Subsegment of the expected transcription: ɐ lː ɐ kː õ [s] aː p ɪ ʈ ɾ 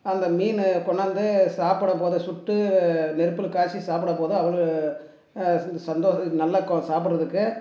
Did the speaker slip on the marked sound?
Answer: no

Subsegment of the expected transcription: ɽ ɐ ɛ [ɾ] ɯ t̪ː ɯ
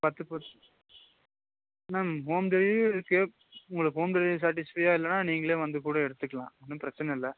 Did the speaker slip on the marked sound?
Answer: yes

